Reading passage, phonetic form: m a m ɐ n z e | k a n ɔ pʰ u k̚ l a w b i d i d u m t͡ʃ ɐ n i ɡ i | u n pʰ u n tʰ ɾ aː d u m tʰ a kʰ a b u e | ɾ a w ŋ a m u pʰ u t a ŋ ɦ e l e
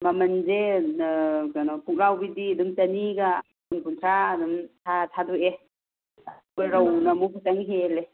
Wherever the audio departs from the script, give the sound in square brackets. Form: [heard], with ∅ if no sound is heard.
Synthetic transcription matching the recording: m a m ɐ n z e | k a n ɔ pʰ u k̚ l a w b i d i d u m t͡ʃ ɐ n i ɡ [a] | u n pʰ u n tʰ ɾ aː d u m tʰ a [tʰ] a [d] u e | ɾ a w [n] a m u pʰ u t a ŋ ɦ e l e